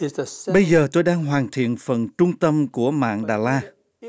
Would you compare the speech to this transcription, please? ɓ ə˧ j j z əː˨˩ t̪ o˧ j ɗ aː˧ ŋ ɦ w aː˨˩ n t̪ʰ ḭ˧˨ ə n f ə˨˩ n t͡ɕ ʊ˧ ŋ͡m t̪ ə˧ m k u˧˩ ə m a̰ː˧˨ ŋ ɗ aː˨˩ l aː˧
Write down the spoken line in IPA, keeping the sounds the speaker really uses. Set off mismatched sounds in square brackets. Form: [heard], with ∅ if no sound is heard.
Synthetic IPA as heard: ɓ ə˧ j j z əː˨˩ t̪ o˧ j ɗ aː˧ ŋ ɦ w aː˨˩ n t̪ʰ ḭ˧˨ ə n f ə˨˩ n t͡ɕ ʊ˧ ŋ͡m t̪ ə˧ m k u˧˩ ə m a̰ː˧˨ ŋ ɗ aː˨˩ l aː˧